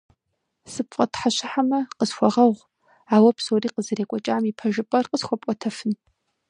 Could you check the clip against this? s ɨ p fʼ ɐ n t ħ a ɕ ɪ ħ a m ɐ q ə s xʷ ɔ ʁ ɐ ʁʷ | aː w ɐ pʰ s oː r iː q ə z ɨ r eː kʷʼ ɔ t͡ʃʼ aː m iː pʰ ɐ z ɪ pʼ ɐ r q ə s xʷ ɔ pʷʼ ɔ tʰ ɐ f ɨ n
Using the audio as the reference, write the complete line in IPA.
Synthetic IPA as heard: s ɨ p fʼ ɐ t ħ a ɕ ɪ ħ a m ɐ q ə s xʷ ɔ ʁ ɐ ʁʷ | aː w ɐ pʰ s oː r iː q ə z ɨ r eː kʷʼ ɔ t͡ʃʼ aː m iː pʰ ɐ ʒ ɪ pʼ ɐ r q ə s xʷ ɔ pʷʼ ɔ tʰ ɐ f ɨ n